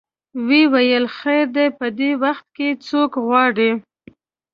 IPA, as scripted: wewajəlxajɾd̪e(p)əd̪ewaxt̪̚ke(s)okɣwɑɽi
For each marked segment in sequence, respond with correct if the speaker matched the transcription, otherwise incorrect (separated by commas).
correct, incorrect